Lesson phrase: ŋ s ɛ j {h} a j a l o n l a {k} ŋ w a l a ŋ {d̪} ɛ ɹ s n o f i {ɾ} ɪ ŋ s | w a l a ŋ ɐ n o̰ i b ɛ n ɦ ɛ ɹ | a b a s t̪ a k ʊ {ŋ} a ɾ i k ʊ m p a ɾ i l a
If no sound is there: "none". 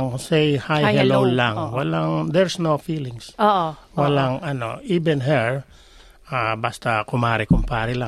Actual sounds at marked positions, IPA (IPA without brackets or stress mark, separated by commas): h, none, d̪, l, m